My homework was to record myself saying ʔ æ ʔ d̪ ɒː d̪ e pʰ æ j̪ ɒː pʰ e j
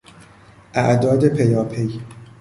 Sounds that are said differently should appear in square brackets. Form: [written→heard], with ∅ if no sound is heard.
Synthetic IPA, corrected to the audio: ʔ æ ʔ d̪ ɒː d̪ e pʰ [æ→e] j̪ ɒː pʰ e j